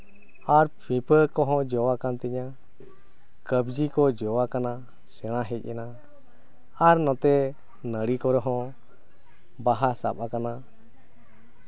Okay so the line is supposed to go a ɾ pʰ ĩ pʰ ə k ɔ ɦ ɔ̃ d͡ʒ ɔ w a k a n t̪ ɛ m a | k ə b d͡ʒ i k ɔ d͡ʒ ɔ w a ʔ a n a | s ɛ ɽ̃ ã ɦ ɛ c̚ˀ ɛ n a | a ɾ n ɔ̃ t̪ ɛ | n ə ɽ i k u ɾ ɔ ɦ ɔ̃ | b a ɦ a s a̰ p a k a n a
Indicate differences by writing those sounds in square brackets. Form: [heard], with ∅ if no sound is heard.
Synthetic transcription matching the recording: a ɾ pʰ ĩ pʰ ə k ɔ ɦ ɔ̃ d͡ʒ ɔ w a k a n t̪ ɛ [ɲ] a | k ə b d͡ʒ i k ɔ d͡ʒ ɔ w a [k] a n a | s ɛ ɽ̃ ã ɦ ɛ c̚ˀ ɛ n a | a ɾ n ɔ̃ t̪ ɛ | n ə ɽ i k [ɔ] ɾ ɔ ɦ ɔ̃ | b a ɦ a s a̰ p a k a n a